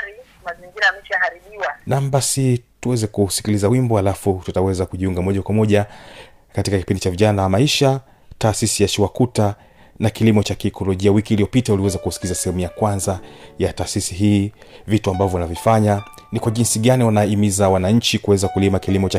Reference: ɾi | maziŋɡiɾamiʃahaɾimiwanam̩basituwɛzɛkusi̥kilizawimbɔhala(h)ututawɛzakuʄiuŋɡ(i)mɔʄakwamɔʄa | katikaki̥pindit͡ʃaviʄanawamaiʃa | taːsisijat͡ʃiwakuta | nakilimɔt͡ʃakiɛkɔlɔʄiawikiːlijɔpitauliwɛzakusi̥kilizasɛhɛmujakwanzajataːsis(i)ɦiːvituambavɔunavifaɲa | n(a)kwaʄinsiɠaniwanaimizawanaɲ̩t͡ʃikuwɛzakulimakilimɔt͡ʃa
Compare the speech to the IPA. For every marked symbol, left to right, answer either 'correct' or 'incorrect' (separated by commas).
incorrect, incorrect, correct, incorrect